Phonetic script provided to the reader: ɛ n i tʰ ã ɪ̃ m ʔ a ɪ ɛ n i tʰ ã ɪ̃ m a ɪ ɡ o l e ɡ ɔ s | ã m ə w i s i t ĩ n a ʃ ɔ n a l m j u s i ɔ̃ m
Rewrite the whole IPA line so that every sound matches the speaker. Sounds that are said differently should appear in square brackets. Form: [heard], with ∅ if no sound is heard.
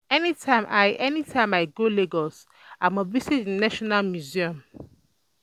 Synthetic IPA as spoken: ɛ n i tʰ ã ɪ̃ m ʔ a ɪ ɛ n i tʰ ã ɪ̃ m a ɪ ɡ o l e ɡ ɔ s | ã m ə [v] i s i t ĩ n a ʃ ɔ n a l m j u [z] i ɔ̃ m

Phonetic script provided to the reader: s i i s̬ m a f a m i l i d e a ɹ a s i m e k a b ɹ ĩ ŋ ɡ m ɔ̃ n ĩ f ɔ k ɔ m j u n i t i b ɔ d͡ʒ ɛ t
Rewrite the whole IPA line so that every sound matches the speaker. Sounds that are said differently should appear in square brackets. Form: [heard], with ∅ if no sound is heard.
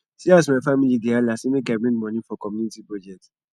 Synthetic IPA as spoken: s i [a] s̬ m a f a m i l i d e a [l] a s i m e k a b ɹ ĩ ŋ ɡ m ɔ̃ n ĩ f ɔ k ɔ m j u n i t i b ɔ d͡ʒ ɛ t

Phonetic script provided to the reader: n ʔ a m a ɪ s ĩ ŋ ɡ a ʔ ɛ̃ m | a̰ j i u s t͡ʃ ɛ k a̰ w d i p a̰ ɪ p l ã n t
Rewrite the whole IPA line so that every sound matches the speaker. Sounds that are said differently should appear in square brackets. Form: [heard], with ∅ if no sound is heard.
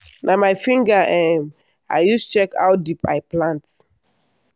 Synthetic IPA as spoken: n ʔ a m a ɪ [f] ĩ ŋ ɡ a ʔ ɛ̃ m | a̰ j [j] u s t͡ʃ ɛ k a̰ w d i p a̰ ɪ p l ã n t

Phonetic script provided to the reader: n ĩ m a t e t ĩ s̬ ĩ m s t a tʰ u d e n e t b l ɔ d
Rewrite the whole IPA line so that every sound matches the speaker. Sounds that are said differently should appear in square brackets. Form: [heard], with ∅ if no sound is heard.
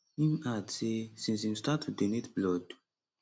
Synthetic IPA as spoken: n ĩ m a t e [s] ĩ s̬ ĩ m s t a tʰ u d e n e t b l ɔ d

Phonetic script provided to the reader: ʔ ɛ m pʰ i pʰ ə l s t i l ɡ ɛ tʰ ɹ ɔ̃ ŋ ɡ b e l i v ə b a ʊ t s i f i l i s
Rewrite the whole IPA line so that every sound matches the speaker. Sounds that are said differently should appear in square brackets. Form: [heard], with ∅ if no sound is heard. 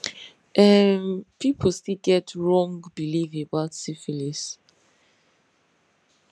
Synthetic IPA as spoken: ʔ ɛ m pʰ i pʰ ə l s t i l ɡ ɛ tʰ ɹ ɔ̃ ŋ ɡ b [i] l i v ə b a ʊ t s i f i l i s

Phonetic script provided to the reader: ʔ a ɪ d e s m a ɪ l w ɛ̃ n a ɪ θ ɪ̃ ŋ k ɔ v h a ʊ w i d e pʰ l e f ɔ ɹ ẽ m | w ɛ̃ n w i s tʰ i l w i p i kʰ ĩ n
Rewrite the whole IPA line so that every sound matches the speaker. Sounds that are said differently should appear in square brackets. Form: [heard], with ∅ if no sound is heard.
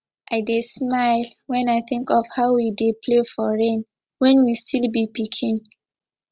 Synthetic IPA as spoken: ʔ a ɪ d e s m a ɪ l w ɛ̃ n a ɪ θ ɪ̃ ŋ k ɔ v h a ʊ w i d e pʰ l e f ɔ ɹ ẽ [n] | w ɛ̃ n w i s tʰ i l [b] i p i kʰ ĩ n

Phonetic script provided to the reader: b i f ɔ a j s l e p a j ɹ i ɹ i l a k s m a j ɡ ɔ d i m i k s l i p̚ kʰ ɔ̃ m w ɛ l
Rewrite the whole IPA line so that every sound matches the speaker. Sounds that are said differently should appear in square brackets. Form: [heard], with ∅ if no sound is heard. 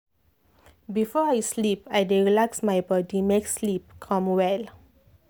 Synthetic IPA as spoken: b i f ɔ a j s l [i] p a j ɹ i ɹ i l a k s m a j [b] ɔ d i m [e] k s l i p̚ kʰ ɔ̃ m w ɛ l

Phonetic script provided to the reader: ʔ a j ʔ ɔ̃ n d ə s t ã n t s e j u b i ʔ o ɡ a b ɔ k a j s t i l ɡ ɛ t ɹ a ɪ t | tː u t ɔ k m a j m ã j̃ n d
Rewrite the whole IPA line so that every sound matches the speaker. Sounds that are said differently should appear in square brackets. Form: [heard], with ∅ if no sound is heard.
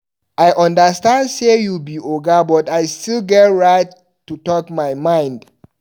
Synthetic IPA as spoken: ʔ a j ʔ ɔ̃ n d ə s t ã n [d] s e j u b i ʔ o ɡ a b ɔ [t] a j s t i l ɡ ɛ t ɹ a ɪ t | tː u t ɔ k m a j m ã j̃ n d

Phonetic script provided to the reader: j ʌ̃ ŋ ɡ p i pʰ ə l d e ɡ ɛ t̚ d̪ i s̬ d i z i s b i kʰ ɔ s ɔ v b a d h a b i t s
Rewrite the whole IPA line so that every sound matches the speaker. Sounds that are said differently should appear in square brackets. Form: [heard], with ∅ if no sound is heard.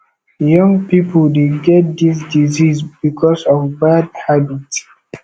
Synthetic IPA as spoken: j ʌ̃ ŋ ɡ p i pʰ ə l d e ɡ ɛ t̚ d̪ i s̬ d i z i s b i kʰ ɔ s ɔ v b a d h a b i t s

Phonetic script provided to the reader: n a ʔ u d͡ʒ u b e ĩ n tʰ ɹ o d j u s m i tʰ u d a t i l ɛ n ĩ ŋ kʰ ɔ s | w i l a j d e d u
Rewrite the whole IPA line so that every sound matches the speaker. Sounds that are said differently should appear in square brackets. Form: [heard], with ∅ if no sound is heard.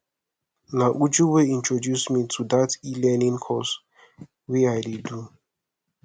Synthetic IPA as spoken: n a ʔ u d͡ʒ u [w] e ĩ n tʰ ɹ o d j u s m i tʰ u d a t i l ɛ n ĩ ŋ kʰ ɔ s | w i [∅] a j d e d u

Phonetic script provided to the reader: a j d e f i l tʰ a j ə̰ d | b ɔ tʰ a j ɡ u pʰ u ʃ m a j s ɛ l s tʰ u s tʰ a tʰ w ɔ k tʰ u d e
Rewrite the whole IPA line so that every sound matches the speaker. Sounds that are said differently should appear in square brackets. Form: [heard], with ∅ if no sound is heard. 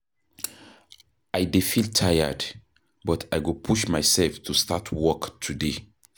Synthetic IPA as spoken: a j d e f i l tʰ a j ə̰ d | b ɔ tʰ a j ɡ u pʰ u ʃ m a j s ɛ l [f] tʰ u s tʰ a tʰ w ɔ k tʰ u d e

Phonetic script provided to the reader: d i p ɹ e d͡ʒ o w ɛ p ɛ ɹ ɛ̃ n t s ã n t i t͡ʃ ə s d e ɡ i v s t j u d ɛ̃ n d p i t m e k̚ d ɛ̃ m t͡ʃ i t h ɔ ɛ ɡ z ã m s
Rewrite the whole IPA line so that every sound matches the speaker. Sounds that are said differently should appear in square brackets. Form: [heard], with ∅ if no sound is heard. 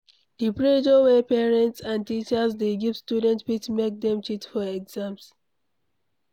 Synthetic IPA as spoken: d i p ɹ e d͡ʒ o w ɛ p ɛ ɹ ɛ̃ n t s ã n t i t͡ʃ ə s d e ɡ i v s t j u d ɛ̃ n [t] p i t m e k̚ d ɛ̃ m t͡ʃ i t [f] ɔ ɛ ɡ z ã m s

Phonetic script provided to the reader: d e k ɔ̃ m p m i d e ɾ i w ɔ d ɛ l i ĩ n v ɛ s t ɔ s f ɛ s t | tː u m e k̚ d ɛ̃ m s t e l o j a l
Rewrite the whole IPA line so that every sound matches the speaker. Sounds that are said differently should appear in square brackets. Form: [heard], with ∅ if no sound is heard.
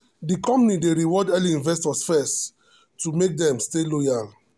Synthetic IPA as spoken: d [i] k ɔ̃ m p [n] i d e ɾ i w ɔ d ɛ l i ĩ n v ɛ s t ɔ s f ɛ s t | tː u m e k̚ d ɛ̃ m s t e l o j a l

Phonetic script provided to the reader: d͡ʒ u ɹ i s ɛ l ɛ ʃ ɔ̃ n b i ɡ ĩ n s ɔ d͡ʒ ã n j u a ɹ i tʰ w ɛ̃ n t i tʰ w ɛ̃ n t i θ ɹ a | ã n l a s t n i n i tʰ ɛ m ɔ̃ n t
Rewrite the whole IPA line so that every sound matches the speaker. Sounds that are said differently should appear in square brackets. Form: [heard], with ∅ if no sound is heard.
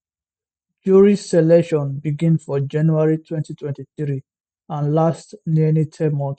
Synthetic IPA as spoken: d͡ʒ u ɹ i s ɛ l ɛ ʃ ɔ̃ n b i ɡ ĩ n [f] ɔ d͡ʒ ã n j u a ɹ i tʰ w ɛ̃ n t i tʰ w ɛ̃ n t i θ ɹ [i] | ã n l a s t n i n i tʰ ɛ m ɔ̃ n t

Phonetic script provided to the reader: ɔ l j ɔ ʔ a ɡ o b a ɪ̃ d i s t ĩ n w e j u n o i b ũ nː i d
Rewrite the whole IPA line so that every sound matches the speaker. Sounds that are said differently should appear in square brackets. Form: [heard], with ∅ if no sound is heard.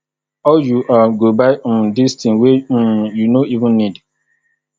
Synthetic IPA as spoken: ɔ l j [u] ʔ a ɡ o b a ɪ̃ d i s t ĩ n w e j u n o i [v] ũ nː i d

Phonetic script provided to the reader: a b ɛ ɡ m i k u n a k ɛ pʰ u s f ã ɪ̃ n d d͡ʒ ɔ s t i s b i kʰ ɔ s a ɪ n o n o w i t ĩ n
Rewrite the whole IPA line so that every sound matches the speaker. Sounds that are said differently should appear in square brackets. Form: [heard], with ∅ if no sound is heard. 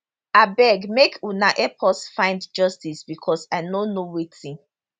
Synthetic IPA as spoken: a b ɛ ɡ m [e] k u n a [ʔ] ɛ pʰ [ɔ] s f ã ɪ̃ n d d͡ʒ ɔ s t i s b i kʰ ɔ s a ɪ n o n o w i t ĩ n

